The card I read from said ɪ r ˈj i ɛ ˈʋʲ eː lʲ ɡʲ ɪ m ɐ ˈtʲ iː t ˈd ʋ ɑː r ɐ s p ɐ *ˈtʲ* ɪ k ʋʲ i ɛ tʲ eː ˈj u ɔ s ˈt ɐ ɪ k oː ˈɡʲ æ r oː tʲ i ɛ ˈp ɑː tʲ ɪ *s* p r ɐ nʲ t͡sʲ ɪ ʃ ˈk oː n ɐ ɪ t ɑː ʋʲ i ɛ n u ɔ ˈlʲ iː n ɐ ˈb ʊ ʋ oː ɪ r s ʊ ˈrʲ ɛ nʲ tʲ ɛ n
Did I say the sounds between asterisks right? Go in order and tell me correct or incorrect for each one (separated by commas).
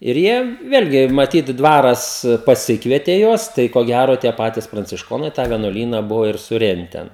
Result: incorrect, correct